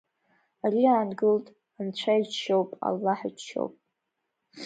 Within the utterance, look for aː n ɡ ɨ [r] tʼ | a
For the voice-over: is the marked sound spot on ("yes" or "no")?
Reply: no